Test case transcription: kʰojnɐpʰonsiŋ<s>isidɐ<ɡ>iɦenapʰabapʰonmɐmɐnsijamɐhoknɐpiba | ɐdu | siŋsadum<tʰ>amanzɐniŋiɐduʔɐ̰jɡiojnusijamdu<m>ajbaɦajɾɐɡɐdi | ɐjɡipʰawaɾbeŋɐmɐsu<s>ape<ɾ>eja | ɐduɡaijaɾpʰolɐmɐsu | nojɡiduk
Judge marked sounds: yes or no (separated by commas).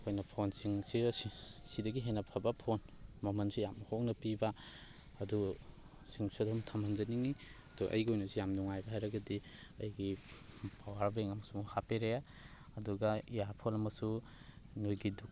yes, yes, yes, no, no, yes